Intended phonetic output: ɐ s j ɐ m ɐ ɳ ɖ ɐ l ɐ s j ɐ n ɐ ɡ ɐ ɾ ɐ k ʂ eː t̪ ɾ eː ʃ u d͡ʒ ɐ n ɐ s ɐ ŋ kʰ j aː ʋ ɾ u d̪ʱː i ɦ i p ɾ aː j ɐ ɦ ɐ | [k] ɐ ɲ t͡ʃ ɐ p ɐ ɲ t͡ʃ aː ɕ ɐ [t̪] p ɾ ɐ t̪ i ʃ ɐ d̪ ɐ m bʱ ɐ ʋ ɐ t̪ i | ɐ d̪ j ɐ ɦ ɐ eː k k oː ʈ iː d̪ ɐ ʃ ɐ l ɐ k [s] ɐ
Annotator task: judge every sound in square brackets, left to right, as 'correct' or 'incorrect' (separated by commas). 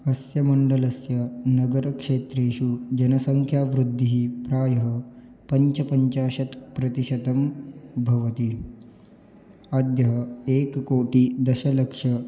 incorrect, correct, incorrect